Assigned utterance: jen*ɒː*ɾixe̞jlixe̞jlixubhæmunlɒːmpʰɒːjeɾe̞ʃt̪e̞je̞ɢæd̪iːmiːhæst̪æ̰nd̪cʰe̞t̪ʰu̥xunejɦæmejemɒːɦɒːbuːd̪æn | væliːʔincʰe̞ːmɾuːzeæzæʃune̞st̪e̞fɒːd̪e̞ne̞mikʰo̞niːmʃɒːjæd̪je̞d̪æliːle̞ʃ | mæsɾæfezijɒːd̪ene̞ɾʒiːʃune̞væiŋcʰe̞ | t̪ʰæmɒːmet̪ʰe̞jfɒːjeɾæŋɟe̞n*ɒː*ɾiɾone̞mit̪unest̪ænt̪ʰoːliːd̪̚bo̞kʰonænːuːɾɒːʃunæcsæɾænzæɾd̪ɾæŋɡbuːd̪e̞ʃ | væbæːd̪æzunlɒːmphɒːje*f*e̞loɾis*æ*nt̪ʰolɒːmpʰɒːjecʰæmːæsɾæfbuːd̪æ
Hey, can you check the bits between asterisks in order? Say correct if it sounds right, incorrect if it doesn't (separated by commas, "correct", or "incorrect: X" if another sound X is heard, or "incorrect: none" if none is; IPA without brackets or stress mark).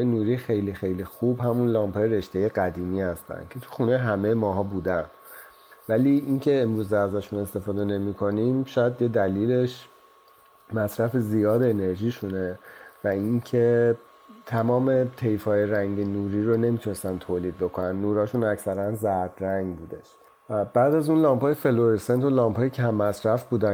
incorrect: uː, incorrect: uː, correct, incorrect: e